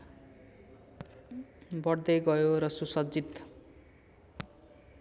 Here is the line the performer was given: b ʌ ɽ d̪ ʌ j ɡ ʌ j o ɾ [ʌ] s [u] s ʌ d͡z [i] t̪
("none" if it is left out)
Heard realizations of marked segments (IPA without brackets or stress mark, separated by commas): ʌ, u, i